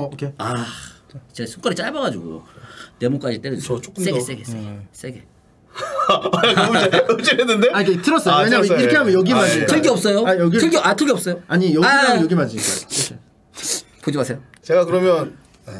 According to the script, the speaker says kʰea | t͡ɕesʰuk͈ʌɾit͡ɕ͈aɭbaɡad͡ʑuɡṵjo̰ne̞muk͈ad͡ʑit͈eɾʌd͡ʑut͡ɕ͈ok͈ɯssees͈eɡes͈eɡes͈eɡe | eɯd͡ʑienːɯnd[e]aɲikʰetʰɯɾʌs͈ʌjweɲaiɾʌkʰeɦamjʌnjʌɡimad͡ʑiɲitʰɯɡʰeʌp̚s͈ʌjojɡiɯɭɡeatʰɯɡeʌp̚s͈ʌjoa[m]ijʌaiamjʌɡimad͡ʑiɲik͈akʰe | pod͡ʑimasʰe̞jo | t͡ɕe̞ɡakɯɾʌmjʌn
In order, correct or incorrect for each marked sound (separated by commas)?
correct, incorrect